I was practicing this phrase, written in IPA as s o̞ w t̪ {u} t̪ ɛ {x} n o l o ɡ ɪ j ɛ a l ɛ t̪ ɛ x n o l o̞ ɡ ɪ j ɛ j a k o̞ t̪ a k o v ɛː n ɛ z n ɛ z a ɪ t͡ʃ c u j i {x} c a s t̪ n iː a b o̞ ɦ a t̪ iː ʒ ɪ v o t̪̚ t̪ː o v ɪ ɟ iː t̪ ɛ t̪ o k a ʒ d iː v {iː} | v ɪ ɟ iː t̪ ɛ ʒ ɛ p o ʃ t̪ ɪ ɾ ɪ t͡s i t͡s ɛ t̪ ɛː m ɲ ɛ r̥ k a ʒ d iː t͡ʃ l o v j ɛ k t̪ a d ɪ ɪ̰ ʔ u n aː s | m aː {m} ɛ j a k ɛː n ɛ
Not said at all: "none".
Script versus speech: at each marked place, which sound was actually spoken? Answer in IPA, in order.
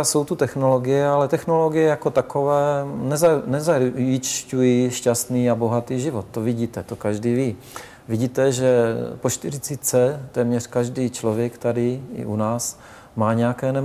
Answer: u, x, ʃ, iː, ɲ

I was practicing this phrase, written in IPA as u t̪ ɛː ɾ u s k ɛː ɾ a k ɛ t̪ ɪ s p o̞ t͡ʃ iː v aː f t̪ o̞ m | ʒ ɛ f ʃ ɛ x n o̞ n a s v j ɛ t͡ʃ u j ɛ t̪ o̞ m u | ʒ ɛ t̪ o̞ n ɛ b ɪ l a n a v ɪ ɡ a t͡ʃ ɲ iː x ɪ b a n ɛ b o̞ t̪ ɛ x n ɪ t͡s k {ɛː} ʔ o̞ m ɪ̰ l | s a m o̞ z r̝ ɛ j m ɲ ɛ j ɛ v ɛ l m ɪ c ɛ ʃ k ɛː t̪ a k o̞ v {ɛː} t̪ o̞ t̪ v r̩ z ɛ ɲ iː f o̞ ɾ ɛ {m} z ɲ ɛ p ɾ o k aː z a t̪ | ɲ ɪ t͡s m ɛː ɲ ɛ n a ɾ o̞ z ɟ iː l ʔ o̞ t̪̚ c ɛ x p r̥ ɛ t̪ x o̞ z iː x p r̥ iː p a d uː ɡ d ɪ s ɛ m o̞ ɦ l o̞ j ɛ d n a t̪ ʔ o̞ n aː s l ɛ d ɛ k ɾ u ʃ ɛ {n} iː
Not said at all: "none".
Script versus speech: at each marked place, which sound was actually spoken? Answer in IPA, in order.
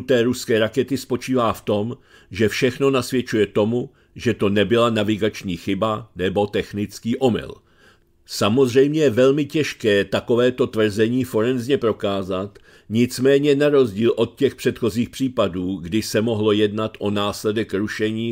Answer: iː, ɛː, n, ɲ

